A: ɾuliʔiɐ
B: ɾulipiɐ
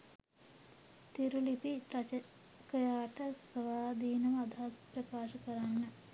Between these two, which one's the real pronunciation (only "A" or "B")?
B